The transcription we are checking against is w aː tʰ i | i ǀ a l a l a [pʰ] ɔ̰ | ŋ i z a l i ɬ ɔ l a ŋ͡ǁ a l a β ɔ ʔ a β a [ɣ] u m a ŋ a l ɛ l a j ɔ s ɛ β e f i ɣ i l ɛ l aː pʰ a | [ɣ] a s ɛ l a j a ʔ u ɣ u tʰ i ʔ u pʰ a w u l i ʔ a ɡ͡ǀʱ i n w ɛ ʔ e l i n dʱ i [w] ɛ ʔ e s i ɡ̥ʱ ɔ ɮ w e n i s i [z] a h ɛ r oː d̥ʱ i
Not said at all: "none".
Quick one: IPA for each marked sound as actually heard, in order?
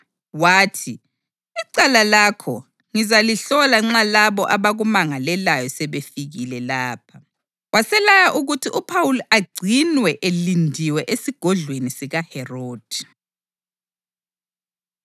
kʰ, ɣ, w, w, ɣ

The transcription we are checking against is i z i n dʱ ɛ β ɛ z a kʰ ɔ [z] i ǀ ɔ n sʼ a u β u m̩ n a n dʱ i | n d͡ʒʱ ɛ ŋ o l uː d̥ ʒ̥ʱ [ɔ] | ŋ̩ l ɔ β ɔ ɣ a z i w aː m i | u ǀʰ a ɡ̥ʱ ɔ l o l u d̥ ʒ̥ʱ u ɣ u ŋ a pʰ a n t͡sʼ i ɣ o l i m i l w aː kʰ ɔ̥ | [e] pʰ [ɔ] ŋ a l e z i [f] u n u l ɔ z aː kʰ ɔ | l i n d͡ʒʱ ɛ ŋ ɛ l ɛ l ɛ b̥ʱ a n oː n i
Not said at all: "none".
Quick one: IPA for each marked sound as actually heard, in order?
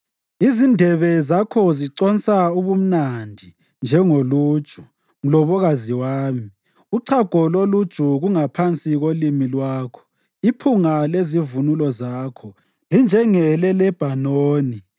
z, u, i, u, v

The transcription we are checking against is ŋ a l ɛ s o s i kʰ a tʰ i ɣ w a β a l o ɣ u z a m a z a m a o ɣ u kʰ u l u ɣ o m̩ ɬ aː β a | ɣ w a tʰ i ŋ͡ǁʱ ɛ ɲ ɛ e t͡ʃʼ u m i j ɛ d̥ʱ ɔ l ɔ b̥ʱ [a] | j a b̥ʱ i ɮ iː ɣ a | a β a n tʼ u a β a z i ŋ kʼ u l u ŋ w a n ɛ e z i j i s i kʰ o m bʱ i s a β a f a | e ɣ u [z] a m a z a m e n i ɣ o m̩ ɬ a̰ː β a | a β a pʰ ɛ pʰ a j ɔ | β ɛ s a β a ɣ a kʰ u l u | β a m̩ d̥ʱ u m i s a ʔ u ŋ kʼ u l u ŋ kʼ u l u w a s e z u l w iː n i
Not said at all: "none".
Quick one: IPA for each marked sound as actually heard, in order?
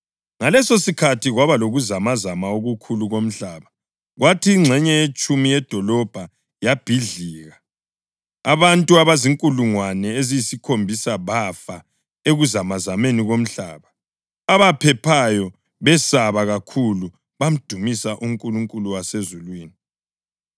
a, z

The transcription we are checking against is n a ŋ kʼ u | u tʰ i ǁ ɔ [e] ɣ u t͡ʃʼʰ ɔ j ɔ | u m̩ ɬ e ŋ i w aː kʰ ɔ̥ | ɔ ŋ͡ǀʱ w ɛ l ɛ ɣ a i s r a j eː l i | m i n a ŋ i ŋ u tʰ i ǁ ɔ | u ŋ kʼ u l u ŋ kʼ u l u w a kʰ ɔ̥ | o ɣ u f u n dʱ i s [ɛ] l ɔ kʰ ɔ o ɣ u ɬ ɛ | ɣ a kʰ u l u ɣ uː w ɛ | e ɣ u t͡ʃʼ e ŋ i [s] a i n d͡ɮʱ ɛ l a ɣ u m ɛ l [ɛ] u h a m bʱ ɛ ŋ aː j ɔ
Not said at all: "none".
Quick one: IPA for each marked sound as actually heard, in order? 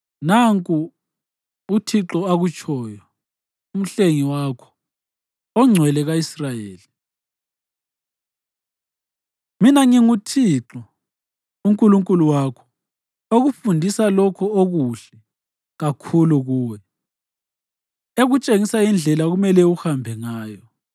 a, a, s, ɛ

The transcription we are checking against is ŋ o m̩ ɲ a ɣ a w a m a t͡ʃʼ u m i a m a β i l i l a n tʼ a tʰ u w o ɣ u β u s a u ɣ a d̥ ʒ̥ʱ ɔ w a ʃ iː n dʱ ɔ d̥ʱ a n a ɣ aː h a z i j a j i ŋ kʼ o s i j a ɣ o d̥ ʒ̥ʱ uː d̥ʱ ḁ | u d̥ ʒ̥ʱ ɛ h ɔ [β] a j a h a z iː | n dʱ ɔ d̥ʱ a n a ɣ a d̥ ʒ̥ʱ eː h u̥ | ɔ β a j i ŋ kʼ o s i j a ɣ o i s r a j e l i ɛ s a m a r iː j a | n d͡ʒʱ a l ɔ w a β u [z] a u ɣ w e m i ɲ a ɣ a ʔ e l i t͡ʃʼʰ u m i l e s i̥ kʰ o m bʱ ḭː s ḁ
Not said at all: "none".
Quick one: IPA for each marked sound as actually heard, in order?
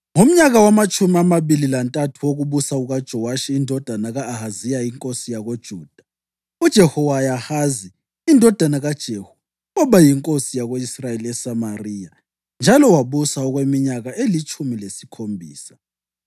w, s

